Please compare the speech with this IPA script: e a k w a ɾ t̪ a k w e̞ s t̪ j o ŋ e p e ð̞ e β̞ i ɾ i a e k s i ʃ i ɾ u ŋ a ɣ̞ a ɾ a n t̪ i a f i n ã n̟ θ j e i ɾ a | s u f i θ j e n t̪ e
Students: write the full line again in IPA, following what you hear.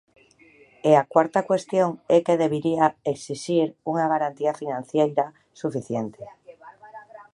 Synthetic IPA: e a k w a ɾ t̪ a k w e̞ s t̪ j o ŋ e k e ð̞ e β̞ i ɾ i a e k s i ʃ i ɾ u ŋ a ɣ̞ a ɾ a n t̪ i a f i n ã n̟ θ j e j ɾ a | s u f i θ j e n t̪ e